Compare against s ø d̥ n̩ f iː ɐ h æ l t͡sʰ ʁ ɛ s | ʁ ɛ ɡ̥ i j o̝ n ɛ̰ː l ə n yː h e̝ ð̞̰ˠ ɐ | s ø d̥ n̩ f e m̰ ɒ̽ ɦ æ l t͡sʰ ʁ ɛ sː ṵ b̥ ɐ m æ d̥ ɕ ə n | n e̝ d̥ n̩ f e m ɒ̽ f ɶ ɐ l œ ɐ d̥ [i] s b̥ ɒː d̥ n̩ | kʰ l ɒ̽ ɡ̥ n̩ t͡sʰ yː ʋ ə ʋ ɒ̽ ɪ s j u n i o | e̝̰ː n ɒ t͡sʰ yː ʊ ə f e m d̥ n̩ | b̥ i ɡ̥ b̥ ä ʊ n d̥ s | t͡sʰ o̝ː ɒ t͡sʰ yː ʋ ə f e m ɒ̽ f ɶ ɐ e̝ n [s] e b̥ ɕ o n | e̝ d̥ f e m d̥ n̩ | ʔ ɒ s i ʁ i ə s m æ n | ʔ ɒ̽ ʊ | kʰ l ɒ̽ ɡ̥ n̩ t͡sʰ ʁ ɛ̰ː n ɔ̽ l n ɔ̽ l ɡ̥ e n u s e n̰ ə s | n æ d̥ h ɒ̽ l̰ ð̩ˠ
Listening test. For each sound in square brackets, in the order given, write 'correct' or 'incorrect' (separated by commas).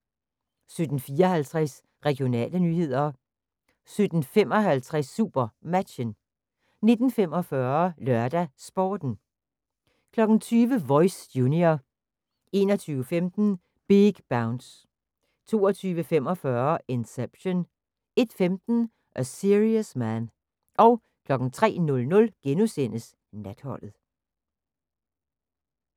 incorrect, correct